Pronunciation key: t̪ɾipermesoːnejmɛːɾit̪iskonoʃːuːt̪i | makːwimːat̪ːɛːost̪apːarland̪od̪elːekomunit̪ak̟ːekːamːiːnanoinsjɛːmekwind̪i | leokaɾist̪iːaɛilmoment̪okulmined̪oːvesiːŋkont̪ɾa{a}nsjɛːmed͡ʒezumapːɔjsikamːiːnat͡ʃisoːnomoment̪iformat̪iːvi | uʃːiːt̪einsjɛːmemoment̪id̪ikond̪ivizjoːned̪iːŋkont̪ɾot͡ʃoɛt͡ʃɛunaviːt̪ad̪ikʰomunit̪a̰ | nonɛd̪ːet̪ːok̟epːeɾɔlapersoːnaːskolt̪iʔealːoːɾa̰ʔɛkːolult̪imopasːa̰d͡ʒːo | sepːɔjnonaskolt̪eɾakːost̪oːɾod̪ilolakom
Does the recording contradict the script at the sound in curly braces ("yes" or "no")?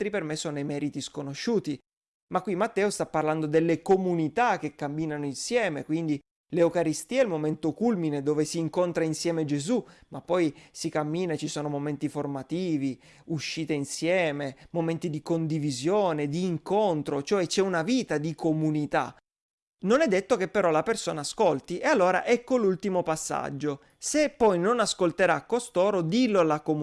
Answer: yes